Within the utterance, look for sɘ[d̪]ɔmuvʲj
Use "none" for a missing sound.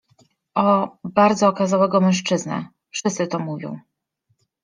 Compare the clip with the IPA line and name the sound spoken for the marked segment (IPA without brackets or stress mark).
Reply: t̪